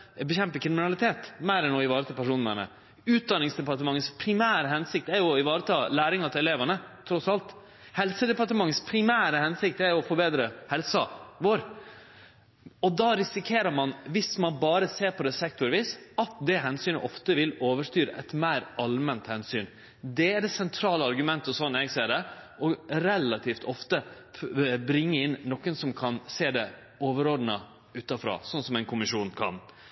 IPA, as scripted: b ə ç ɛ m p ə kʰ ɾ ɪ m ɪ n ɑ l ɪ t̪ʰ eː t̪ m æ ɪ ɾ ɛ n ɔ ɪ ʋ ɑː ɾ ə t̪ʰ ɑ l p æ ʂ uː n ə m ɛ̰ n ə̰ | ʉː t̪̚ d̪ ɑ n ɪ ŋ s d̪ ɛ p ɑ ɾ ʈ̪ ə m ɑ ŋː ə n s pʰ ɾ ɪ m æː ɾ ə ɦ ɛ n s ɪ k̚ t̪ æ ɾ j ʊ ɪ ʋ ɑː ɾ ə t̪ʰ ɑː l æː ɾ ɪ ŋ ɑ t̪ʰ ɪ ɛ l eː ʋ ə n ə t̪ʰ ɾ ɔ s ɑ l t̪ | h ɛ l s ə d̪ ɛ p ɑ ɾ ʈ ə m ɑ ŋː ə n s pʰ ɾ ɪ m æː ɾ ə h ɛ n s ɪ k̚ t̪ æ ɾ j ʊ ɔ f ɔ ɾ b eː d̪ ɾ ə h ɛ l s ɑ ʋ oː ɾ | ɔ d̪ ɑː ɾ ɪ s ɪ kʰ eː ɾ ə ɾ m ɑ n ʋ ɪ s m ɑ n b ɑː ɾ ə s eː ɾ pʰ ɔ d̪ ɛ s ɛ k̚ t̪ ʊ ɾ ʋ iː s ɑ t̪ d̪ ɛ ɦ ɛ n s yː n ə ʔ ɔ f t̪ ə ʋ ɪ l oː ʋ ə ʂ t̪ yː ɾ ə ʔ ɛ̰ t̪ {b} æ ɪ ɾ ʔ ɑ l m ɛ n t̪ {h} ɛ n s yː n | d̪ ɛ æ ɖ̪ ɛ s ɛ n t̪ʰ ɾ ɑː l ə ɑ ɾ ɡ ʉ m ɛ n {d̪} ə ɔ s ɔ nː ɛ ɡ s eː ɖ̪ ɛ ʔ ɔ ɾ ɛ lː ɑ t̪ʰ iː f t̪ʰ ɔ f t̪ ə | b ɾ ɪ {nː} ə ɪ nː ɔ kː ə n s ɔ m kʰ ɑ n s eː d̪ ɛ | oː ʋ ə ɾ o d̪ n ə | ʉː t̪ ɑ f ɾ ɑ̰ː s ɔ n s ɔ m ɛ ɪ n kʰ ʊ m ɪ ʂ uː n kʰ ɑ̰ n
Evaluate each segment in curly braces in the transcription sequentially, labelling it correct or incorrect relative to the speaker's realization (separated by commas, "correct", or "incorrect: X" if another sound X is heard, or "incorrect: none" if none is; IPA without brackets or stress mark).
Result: incorrect: m, correct, incorrect: t̪, incorrect: ŋː